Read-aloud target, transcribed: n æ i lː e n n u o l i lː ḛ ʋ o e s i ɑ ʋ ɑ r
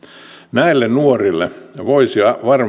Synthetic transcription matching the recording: n æ i lː e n n u o r i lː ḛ ʋ o i s i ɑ ʋ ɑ r